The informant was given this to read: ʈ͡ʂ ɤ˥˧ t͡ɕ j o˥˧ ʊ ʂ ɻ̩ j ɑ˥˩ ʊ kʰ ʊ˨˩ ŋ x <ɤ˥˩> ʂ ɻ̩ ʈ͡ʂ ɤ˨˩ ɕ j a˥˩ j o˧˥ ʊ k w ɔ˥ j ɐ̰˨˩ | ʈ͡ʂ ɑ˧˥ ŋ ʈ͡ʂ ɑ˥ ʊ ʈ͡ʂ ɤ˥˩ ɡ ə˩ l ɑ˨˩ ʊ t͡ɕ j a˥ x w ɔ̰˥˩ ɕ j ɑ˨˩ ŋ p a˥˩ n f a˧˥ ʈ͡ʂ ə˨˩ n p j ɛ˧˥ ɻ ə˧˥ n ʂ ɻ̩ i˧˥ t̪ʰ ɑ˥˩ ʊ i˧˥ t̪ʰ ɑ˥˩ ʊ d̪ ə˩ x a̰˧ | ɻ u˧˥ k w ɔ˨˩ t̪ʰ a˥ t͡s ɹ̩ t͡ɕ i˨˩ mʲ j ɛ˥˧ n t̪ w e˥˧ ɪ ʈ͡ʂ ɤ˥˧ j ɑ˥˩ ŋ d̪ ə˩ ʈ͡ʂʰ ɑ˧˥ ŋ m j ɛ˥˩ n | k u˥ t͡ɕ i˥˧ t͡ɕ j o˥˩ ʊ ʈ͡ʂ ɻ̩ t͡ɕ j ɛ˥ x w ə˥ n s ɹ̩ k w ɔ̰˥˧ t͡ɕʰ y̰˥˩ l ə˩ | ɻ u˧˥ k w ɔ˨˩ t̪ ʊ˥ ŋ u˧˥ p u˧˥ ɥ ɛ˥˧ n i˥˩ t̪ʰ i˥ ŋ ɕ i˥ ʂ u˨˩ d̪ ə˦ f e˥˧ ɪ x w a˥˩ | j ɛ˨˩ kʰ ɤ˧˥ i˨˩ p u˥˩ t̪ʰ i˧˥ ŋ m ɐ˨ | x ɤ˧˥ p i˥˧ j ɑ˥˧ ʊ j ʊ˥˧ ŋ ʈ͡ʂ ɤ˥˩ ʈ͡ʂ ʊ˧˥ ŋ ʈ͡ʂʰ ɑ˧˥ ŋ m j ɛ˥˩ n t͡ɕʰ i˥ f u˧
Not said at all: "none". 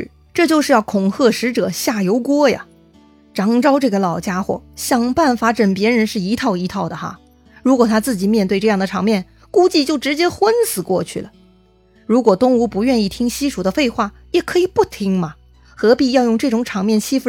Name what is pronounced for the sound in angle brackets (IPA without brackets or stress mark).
ɤ˥˩